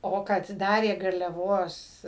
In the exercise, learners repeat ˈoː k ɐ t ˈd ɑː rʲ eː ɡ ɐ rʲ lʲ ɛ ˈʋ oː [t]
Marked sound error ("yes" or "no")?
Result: yes